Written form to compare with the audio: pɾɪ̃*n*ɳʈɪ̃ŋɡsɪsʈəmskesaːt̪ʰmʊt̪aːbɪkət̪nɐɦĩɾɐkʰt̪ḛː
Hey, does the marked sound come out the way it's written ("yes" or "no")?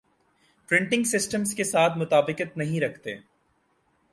no